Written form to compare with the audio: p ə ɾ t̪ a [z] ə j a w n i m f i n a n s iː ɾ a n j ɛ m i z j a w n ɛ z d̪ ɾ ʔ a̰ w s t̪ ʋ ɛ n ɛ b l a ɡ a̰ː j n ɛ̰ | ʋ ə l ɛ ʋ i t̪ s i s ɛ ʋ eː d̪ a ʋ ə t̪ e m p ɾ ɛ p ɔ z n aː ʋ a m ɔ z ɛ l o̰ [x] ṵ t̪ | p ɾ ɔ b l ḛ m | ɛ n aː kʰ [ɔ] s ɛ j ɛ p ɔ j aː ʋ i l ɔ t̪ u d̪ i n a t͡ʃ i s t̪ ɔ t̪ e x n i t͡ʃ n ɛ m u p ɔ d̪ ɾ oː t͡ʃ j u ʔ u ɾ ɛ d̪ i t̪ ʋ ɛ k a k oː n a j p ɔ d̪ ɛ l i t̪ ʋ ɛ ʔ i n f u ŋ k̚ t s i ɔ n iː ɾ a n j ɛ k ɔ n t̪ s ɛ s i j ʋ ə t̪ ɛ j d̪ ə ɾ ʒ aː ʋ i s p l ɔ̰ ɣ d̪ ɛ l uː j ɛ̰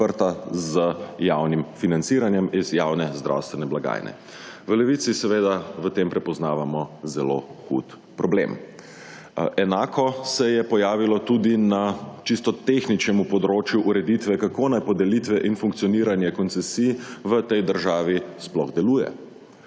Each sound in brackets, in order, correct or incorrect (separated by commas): correct, correct, correct